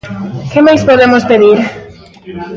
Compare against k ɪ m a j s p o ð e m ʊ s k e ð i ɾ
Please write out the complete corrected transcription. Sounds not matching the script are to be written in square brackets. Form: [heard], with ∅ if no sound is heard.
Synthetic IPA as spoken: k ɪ m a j s p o ð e m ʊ s [p] e ð i ɾ